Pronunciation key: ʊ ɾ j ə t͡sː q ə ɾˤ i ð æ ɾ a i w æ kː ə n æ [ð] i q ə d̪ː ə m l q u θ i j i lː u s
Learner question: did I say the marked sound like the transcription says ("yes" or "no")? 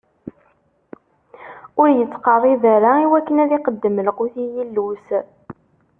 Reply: yes